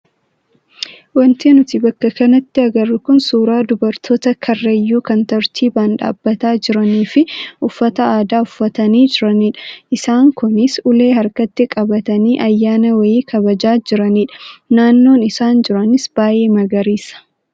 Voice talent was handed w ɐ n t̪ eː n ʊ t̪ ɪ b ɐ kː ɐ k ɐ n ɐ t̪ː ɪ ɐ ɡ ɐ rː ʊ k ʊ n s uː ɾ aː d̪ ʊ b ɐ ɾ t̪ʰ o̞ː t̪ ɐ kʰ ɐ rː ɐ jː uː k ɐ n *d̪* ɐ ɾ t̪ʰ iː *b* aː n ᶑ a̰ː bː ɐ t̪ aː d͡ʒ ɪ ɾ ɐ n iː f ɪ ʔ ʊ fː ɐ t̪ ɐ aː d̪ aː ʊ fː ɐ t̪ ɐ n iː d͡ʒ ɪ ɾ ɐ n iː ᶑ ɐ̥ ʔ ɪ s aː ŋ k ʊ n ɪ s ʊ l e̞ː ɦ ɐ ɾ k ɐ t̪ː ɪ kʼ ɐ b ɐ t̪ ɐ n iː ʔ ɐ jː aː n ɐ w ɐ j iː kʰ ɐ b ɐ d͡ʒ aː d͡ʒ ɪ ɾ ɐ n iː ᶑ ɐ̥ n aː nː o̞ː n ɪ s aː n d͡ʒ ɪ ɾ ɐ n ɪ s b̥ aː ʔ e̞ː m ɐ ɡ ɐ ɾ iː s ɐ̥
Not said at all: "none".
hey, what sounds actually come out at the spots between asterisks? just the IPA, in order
t̪, b

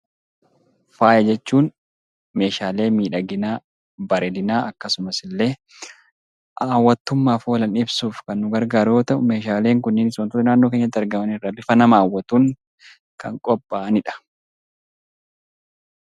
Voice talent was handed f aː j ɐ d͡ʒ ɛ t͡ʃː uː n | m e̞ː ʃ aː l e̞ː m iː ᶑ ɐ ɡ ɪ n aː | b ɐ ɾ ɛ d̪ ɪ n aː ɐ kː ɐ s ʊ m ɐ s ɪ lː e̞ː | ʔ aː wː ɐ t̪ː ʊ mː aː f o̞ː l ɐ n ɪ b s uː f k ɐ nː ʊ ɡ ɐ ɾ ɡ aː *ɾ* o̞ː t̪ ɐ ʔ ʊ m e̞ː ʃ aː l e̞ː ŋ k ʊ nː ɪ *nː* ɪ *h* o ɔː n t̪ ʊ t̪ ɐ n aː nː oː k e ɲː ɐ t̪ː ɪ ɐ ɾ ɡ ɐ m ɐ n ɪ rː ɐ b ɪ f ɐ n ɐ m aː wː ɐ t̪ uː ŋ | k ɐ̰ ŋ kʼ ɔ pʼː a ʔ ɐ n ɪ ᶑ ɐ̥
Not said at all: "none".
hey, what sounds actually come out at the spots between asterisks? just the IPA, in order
ɾ, n, s

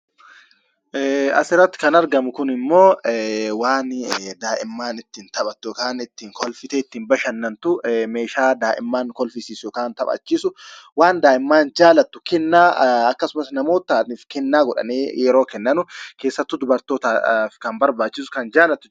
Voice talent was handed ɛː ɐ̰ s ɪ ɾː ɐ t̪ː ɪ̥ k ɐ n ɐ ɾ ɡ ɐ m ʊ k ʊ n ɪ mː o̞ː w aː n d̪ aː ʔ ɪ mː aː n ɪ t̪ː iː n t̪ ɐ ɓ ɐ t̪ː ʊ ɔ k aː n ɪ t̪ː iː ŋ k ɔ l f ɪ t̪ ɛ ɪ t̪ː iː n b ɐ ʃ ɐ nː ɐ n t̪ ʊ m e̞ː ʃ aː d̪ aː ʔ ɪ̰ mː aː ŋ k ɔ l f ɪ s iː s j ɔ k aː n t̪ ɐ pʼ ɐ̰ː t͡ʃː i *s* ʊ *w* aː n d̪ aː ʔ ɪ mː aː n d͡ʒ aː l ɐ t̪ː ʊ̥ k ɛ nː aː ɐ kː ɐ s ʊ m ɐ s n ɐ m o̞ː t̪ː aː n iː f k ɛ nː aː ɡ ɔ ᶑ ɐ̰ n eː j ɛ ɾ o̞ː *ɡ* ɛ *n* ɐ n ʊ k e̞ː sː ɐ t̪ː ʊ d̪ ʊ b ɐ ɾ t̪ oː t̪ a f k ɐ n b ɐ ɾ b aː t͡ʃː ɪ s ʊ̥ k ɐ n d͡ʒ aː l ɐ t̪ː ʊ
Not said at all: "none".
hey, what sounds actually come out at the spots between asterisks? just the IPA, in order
s, w, k, nː

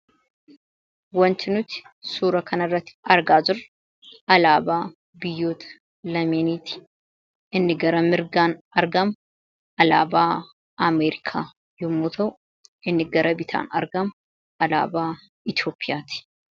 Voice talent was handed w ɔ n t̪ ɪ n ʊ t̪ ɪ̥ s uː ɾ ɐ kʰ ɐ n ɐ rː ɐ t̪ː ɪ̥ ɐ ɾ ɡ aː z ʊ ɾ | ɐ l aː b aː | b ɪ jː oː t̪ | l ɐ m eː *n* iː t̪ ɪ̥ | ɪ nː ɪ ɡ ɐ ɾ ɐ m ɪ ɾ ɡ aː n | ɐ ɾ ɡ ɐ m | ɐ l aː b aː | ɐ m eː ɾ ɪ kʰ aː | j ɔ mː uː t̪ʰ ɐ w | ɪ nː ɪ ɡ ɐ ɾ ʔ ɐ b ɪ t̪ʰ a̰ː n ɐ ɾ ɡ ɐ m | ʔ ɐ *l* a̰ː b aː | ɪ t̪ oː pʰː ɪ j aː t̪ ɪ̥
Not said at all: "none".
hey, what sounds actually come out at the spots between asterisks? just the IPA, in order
n, l

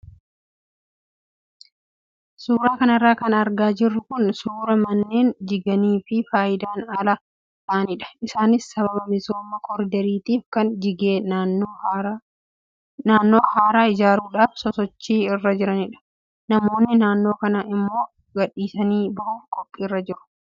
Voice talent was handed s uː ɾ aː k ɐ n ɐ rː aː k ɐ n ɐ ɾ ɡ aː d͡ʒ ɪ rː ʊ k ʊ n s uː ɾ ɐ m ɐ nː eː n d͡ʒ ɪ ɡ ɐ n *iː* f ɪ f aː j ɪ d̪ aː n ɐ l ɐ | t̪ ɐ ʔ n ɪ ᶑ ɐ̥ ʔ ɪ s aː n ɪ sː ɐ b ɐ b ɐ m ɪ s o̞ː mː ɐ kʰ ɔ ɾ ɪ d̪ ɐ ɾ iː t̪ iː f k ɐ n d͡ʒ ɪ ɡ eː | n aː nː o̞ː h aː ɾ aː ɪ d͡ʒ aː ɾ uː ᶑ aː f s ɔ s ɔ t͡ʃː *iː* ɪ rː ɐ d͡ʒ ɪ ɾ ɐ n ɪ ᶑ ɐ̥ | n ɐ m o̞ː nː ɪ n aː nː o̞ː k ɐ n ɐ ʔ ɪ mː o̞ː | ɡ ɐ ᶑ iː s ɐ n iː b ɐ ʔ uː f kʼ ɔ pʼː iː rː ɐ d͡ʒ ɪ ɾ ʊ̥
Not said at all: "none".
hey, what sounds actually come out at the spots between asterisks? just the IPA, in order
iː, iː

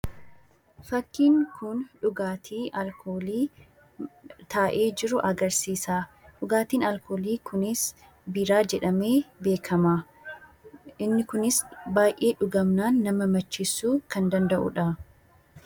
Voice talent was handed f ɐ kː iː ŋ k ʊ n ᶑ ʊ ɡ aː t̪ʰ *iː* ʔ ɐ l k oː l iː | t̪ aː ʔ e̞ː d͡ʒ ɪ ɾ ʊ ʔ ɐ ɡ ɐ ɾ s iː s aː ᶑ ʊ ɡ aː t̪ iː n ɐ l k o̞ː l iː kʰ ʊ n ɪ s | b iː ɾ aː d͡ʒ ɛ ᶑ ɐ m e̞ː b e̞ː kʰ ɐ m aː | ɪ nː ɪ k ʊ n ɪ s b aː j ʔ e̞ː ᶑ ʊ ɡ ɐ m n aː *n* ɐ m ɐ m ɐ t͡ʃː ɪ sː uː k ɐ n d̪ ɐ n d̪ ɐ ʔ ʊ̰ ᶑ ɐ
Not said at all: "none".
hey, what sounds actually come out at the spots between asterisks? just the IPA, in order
iː, nː

